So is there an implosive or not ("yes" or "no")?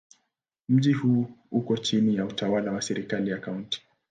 yes